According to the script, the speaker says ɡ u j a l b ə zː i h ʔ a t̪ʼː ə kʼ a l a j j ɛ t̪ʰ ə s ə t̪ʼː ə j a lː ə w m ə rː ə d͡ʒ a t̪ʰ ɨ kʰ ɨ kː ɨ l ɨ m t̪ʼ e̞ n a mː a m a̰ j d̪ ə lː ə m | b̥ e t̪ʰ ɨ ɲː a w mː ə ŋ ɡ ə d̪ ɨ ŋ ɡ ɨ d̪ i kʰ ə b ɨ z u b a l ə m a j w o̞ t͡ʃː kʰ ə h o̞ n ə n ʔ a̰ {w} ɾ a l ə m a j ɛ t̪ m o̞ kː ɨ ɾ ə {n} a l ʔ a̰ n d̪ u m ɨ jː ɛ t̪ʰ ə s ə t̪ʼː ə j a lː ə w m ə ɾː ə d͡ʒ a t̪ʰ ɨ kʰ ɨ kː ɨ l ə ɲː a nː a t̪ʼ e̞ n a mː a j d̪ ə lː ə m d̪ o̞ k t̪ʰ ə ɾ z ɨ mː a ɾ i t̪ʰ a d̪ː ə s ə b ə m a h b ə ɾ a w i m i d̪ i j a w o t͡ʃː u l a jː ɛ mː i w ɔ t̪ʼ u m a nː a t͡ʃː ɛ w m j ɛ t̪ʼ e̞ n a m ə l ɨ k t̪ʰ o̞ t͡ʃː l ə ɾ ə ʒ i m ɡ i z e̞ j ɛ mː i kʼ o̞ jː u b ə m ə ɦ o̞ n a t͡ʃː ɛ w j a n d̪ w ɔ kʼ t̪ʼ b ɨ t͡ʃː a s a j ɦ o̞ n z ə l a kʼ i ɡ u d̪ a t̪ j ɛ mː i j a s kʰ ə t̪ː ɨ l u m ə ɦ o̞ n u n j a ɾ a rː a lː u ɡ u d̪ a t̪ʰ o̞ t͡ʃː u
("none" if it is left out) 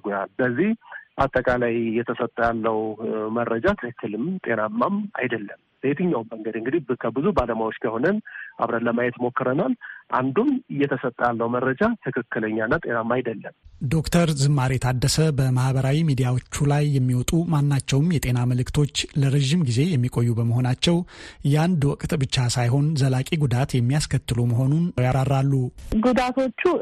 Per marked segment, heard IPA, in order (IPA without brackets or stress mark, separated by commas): β, n